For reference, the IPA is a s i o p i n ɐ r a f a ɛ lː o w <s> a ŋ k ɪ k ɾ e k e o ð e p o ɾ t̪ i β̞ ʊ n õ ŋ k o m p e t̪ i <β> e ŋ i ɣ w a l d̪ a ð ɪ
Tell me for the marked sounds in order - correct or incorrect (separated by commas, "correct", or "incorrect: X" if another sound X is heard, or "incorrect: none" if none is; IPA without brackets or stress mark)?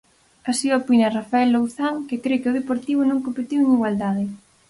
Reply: incorrect: θ, incorrect: w